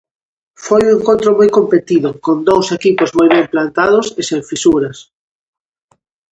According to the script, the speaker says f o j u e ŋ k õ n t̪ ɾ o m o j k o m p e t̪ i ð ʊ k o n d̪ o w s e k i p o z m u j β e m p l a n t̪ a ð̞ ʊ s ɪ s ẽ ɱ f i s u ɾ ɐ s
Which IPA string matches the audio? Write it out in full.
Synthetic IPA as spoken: f o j u e ŋ k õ n t̪ ɾ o m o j k o m p e t̪ i ð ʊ k o n d̪ o w s e k i p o z m o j β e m p l a n t̪ a ð̞ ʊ s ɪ s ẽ ɱ f i s u ɾ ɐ s